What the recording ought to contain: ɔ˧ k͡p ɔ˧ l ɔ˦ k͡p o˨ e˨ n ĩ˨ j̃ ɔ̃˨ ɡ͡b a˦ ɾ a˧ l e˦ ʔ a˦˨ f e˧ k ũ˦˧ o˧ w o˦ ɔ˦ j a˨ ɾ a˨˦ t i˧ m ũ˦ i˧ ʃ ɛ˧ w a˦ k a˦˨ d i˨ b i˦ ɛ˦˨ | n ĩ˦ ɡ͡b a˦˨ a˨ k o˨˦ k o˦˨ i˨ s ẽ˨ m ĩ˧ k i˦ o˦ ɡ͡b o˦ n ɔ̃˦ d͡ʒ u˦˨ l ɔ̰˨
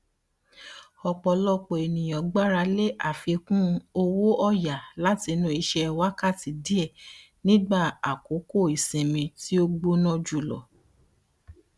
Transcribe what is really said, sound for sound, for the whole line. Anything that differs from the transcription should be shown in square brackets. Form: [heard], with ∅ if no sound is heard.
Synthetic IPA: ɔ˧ k͡p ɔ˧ l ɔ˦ k͡p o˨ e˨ n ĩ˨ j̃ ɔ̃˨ ɡ͡b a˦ ɾ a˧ l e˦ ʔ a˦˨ f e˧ k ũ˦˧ o˧ w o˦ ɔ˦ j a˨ [l] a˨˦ t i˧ [n] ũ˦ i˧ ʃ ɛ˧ w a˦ k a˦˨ [t] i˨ [d] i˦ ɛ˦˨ | n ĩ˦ ɡ͡b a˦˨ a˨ k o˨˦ k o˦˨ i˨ s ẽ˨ m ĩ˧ [t] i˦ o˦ ɡ͡b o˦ n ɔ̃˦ d͡ʒ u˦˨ l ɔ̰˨